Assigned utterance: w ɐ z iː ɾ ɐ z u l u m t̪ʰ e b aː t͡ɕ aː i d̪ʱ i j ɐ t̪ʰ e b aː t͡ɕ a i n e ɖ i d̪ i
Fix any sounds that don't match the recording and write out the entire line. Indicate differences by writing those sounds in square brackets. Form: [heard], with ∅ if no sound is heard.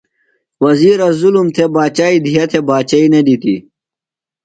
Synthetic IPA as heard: w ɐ z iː ɾ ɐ z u l u m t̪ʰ e b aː t͡ɕ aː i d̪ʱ i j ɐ t̪ʰ e b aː t͡ɕ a i n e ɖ i [t̪] i